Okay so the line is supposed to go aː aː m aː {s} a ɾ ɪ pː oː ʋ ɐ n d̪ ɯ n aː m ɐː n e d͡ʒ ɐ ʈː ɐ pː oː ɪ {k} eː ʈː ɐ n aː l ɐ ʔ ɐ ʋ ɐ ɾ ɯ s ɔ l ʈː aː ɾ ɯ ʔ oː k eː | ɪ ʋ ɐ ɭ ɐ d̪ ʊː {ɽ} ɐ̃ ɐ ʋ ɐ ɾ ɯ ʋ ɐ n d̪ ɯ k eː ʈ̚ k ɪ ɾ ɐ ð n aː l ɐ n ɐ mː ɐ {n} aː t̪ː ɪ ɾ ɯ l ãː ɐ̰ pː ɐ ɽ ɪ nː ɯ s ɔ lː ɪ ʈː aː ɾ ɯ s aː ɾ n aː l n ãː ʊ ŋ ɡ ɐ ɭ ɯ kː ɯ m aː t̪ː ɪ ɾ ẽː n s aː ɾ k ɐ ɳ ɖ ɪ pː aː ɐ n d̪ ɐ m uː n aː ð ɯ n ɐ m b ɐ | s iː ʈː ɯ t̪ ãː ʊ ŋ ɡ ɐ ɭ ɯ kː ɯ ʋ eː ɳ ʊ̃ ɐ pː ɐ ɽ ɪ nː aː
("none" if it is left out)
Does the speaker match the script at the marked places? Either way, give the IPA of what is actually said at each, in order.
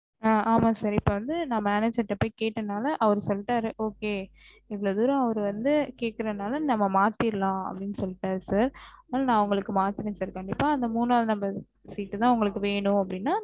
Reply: s, k, ɾ, m

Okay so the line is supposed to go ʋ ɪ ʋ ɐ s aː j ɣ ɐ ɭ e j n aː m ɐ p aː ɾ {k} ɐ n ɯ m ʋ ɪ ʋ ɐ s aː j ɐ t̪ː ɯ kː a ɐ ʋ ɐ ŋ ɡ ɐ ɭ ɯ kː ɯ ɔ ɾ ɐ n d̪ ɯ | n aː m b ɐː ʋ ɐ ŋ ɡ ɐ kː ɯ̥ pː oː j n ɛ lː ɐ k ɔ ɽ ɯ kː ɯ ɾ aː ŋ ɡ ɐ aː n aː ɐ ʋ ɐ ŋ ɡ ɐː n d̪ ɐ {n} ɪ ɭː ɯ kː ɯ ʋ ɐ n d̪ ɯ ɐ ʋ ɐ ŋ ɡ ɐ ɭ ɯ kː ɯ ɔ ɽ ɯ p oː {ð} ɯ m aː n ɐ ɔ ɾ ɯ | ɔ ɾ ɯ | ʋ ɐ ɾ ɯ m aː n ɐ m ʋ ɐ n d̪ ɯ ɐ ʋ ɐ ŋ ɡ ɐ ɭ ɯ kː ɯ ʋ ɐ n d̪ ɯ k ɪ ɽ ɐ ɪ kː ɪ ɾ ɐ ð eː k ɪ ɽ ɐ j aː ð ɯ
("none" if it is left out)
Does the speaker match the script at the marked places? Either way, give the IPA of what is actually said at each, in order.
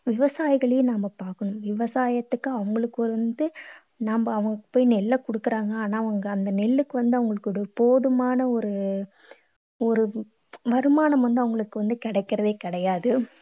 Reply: k, n, ð

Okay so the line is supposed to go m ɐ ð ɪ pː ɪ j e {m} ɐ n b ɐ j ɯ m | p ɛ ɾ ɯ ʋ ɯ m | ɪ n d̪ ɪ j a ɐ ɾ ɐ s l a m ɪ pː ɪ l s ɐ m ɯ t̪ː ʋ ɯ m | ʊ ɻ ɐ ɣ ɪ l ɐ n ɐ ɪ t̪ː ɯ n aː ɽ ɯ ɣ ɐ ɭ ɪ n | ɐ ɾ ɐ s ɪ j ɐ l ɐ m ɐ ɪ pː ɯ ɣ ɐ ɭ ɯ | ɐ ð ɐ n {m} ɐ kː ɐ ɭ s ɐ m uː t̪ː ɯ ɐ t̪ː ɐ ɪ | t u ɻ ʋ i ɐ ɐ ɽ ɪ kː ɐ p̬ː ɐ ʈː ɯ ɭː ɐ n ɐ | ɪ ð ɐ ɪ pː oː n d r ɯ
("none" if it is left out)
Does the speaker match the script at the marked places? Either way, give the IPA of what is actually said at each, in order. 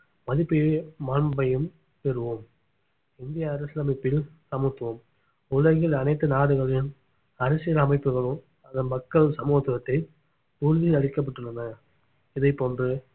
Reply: m, m

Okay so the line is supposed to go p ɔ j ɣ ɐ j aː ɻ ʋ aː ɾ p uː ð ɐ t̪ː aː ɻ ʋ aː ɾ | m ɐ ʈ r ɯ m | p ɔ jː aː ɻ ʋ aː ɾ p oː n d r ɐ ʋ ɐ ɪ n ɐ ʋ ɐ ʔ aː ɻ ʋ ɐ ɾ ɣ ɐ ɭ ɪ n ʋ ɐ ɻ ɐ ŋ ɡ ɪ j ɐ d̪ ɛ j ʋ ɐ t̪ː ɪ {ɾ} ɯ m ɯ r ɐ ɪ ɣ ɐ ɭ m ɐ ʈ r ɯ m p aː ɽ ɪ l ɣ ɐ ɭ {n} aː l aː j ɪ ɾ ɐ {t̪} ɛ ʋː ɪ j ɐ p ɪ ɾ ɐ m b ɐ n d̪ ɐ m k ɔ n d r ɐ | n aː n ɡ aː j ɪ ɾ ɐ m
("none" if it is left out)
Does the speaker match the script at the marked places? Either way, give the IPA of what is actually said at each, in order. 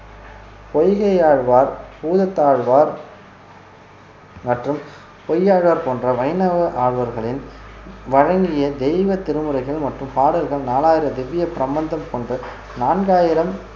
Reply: ɾ, n, d̪

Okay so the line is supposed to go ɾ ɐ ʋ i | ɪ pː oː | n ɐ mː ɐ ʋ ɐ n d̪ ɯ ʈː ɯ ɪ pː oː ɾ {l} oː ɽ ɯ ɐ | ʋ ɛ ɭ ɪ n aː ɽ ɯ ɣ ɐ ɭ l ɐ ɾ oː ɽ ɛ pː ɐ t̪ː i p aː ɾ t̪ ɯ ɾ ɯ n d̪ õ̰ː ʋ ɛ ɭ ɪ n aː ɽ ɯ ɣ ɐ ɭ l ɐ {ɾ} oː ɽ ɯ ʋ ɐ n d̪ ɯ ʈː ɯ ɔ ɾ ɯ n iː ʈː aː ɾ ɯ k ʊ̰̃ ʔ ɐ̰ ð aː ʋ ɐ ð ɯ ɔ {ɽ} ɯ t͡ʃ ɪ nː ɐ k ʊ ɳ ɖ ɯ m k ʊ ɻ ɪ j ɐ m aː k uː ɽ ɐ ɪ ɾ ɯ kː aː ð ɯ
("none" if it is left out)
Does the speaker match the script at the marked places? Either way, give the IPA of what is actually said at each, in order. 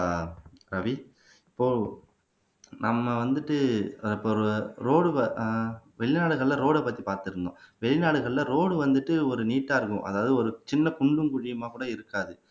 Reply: ɾ, ɾ, ɾ

